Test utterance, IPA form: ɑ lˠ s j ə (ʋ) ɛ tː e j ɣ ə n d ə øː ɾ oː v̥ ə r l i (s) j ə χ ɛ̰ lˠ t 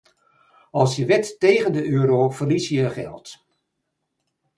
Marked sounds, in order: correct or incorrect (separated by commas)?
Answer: correct, correct